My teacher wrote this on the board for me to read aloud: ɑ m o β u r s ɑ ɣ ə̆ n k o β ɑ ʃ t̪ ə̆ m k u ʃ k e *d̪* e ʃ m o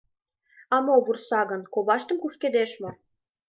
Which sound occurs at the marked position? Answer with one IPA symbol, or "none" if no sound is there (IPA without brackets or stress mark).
d̪